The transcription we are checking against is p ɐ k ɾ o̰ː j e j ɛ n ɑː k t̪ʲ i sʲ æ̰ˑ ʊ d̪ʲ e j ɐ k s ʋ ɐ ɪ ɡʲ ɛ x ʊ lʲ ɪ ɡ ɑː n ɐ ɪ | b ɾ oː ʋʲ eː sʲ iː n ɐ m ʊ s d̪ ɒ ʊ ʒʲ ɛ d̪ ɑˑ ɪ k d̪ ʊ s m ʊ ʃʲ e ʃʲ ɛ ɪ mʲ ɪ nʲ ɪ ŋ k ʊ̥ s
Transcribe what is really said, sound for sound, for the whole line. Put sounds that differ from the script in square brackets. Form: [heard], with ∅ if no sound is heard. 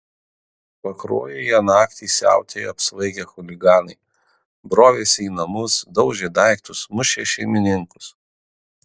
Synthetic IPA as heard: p ɐ k ɾ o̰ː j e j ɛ n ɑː k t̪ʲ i sʲ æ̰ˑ ʊ [t̪ʲ] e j ɐ [p] s ʋ ɐ ɪ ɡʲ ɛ x ʊ lʲ ɪ ɡ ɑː n ɐ ɪ | b ɾ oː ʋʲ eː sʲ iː n ɐ m ʊ s d̪ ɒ ʊ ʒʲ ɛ d̪ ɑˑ ɪ k [t̪] ʊ s m ʊ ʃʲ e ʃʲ ɛ ɪ mʲ ɪ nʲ ɪ ŋ k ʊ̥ s